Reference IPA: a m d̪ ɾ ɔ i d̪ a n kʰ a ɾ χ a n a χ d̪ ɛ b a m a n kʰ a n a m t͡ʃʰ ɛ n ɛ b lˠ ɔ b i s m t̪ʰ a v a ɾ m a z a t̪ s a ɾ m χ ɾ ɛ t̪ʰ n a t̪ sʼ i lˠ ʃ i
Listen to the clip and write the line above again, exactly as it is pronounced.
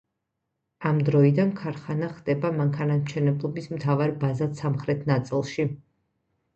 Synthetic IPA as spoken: a m d̪ ɾ ɔ i d̪ a n kʰ a ɾ χ a n a χ d̪ ɛ b a m a ŋ kʰ a n a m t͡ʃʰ ɛ n ɛ b lˠ ɔ b i s m t̪ʰ a v a ɾ b a z a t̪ s a m χ ɾ ɛ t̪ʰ n a t̪ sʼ i lˠ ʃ i